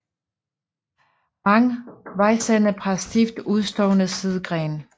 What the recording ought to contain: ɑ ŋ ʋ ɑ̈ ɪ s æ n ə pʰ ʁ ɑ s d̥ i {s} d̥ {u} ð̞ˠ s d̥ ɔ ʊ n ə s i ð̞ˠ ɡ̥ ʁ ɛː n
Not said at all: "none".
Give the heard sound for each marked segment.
f, u

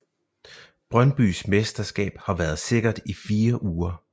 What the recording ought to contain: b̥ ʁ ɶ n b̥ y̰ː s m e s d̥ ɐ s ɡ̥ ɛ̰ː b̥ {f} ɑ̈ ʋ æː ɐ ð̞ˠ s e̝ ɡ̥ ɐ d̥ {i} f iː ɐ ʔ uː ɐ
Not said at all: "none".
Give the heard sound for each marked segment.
h, i

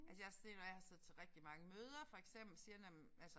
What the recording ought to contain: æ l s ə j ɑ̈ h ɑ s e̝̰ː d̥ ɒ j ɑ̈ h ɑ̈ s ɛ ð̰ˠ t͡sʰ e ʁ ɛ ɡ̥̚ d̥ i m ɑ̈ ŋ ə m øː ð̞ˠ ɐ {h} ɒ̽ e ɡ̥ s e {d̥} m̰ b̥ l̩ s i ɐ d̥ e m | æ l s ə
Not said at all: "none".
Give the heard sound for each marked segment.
f, none

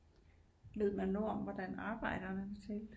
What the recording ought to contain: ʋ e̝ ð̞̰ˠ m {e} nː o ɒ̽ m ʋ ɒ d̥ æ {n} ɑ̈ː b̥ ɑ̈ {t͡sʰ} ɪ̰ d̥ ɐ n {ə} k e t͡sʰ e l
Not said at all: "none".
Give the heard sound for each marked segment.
æ, n, none, ə

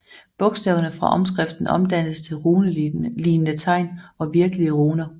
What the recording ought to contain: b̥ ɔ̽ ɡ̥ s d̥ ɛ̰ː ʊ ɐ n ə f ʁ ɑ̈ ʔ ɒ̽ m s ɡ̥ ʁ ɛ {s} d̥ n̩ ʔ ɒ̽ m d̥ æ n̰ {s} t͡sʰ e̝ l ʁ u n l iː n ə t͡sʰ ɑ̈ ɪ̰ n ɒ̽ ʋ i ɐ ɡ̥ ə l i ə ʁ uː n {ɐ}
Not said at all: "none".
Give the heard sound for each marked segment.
f, s, ɐ

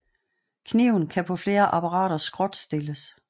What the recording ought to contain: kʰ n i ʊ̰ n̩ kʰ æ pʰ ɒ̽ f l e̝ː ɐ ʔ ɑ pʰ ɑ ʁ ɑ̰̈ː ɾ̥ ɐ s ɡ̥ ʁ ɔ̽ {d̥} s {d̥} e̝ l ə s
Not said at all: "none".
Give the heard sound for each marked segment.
d̥, d̥

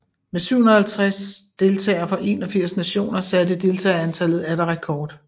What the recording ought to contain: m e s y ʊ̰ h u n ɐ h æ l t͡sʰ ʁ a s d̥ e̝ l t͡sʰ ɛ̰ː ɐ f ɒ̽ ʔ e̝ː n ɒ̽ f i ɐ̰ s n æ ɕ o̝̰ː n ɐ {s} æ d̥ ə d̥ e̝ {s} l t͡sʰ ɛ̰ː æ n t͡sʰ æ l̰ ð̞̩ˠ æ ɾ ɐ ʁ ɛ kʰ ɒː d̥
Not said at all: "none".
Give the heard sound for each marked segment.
s, none

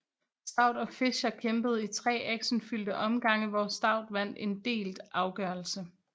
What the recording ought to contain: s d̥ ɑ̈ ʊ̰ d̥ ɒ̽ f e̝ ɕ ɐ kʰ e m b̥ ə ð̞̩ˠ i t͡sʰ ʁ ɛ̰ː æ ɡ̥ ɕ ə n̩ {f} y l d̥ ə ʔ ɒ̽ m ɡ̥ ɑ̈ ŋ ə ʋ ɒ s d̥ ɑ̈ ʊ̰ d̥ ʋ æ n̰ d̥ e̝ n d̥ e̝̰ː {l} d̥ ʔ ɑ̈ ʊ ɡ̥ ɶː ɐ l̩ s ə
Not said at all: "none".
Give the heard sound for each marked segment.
f, l

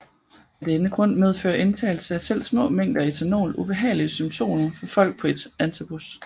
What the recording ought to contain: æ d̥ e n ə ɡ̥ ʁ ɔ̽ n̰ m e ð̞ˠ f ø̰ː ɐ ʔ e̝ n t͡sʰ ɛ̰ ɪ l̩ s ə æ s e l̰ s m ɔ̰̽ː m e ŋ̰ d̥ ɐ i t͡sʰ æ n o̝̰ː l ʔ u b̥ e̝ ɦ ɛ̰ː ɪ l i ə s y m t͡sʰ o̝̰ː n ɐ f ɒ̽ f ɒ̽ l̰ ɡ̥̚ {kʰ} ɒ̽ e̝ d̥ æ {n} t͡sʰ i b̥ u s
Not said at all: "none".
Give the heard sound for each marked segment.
pʰ, n

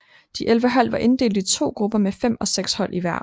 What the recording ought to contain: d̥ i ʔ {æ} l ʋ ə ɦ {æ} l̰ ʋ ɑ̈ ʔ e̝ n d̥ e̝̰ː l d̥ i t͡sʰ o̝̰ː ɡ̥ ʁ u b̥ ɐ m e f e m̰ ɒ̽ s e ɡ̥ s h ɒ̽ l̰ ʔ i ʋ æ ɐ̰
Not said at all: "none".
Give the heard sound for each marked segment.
e, æ

